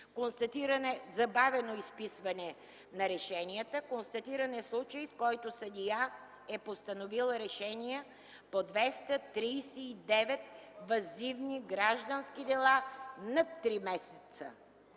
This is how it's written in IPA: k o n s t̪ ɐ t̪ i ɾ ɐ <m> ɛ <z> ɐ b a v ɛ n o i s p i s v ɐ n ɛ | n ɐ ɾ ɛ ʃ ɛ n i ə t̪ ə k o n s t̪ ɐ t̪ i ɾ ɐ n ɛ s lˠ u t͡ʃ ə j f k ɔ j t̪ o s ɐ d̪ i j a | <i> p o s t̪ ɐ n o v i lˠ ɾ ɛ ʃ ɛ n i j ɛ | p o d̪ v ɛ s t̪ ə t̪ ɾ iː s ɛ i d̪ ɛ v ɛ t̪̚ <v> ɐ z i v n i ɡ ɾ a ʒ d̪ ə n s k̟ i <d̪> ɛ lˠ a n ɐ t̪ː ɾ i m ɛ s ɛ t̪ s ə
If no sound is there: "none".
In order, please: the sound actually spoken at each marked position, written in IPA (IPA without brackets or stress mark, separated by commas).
n, z, ɛ, v, d̪